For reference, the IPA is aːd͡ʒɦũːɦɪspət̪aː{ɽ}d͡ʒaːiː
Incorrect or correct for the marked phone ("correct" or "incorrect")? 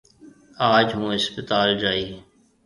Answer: incorrect